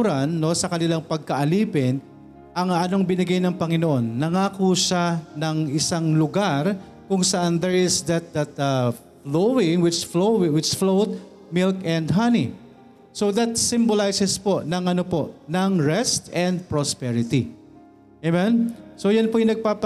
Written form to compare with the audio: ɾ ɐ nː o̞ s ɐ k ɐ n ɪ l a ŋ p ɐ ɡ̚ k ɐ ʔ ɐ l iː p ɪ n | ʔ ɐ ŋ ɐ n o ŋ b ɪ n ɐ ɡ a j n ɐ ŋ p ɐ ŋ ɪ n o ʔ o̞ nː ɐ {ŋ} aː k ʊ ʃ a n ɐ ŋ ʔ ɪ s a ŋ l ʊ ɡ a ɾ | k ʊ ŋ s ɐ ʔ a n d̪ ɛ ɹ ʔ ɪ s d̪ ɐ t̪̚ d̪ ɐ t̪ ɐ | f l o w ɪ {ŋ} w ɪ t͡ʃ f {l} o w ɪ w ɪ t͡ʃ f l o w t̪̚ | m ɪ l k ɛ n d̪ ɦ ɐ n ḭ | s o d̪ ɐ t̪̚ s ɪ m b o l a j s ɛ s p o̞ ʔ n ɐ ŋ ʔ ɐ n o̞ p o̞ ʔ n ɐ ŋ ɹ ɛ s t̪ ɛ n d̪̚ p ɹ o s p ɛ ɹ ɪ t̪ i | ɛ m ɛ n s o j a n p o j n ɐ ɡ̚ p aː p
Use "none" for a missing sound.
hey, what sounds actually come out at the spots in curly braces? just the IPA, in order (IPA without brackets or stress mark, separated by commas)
ŋ, ŋ, l